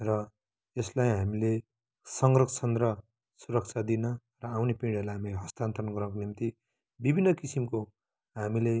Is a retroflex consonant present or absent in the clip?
present